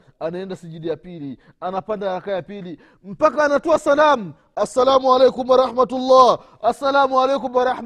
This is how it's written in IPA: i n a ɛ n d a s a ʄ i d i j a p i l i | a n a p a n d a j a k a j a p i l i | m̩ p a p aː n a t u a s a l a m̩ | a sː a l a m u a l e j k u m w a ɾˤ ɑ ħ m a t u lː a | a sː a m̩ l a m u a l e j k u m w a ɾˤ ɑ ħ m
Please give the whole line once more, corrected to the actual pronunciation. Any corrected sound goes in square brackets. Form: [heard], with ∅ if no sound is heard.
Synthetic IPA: [a] n a ɛ n d a s [i] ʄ i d i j a p i l i | a n a p a n d a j a k a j a p i l i | m̩ p a [k] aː n a t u a s a l a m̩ | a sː a l a m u a l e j k u m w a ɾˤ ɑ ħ m a t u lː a | a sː a [∅] l a m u a l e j k u m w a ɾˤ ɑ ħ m